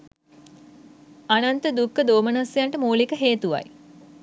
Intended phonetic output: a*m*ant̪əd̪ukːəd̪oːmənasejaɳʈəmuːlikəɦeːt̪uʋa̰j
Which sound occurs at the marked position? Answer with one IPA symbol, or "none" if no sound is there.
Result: n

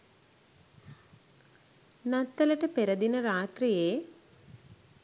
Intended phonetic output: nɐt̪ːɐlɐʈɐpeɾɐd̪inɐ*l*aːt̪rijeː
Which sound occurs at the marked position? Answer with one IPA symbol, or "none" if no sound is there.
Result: ɾ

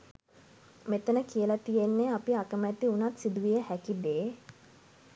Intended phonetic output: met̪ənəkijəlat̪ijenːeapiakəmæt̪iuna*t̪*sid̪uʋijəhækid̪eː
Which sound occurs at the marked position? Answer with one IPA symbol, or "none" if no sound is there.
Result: t̪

